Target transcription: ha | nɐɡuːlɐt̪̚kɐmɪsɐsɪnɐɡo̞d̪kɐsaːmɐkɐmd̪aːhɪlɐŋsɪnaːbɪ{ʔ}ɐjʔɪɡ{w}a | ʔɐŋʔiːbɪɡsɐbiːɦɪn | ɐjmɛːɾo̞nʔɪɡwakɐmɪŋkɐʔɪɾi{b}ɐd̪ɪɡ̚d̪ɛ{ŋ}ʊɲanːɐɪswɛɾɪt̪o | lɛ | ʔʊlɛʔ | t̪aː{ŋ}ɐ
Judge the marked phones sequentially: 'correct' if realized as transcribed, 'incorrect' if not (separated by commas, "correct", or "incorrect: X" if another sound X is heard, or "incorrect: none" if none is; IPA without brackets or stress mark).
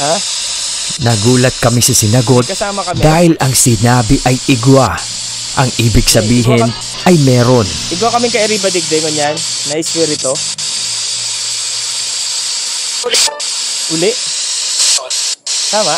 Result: correct, correct, correct, correct, incorrect: m